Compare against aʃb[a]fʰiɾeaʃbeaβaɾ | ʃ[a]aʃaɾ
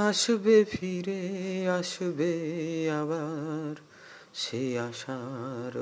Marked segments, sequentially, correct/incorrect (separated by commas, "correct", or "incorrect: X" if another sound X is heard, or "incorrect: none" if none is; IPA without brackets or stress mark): incorrect: e, incorrect: e